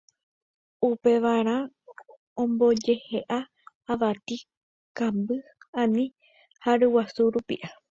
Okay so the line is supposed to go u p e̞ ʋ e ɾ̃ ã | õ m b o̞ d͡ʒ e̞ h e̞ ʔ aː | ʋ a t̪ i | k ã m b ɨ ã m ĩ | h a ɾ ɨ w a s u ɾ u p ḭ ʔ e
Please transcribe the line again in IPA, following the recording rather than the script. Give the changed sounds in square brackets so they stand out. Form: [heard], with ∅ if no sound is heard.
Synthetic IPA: u p e̞ ʋ [a] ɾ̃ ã | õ m b o̞ d͡ʒ e̞ h e̞ ʔ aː | ʋ a t̪ i | k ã m b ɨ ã [n] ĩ | h a ɾ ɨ w a s u ɾ u p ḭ ʔ [a]